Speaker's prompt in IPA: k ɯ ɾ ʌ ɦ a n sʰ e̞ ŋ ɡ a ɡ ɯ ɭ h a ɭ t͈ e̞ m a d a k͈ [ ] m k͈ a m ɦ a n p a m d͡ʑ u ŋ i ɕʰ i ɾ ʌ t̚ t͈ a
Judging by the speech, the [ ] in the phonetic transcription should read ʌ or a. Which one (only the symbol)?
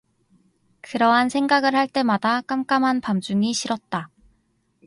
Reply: a